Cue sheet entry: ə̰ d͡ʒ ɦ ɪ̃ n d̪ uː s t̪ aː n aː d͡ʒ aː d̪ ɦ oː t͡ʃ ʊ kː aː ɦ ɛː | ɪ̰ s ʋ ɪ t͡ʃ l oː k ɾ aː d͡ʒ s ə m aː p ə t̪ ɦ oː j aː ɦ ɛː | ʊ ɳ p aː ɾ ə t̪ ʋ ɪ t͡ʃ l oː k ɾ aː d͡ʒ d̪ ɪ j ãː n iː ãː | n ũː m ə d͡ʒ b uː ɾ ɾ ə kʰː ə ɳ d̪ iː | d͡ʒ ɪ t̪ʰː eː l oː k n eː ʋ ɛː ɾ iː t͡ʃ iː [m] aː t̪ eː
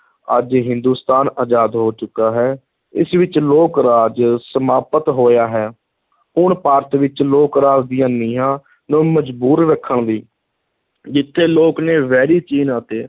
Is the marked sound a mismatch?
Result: yes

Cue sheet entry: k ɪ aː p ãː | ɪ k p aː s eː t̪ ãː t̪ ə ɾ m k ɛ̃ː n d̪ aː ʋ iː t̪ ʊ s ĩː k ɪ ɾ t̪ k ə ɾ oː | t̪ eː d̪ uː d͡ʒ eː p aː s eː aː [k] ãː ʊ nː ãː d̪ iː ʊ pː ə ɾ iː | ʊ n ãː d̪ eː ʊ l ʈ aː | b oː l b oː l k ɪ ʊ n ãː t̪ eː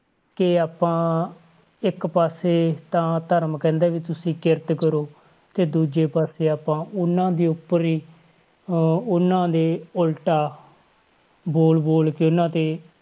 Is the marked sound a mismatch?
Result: yes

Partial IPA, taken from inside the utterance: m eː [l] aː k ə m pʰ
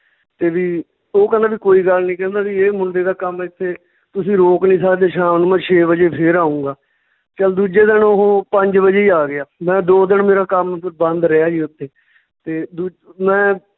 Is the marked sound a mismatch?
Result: yes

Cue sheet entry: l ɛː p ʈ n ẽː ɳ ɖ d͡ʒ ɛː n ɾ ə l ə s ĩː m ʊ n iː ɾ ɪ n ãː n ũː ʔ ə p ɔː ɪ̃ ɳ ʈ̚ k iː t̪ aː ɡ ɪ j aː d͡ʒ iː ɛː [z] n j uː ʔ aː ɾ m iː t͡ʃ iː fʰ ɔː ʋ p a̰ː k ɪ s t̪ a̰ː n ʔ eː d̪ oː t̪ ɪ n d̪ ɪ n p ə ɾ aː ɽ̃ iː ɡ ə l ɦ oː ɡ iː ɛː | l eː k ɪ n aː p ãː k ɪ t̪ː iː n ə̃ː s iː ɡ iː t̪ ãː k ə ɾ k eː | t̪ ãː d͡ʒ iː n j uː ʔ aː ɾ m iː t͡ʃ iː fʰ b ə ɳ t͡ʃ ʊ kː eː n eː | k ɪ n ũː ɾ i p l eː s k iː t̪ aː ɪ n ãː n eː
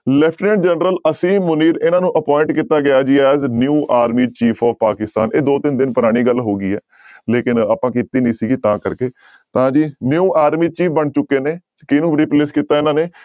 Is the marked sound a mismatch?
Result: no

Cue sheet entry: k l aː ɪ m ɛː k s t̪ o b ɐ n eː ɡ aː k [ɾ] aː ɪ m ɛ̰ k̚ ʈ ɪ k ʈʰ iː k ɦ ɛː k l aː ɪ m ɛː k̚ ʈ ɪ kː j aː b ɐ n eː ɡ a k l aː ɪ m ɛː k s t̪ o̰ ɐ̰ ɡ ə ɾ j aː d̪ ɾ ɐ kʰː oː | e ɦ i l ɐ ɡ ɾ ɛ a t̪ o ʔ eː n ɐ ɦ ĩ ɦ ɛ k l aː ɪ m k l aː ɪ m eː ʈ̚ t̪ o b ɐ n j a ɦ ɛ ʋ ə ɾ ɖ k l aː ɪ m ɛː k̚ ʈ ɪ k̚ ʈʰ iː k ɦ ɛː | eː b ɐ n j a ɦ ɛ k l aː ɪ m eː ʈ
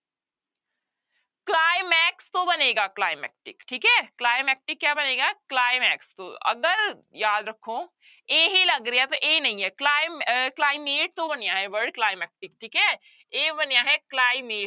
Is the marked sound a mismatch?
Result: yes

